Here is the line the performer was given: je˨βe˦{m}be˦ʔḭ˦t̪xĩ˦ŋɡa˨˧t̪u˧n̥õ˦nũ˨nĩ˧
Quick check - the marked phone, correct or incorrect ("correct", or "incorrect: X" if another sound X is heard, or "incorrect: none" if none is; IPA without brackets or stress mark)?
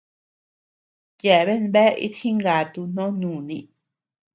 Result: incorrect: n